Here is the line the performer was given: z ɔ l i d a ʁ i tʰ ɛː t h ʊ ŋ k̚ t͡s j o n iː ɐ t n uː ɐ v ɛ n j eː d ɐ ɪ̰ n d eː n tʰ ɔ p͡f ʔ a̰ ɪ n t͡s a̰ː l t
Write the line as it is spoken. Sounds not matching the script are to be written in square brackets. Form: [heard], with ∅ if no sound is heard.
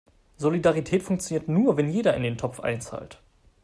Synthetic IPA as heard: z [o] l i d a ʁ i tʰ ɛː t [f] ʊ ŋ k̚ t͡s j o n iː ɐ t n uː ɐ v ɛ n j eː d ɐ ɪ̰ n d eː n tʰ ɔ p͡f ʔ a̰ ɪ n t͡s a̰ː l t